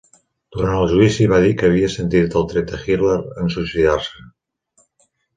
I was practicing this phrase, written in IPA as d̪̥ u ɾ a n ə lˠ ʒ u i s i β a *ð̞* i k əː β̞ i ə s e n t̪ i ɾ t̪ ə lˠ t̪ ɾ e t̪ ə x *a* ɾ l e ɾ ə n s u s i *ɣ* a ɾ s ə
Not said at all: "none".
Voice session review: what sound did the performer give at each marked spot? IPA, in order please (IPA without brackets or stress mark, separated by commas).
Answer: ð̞, i, ð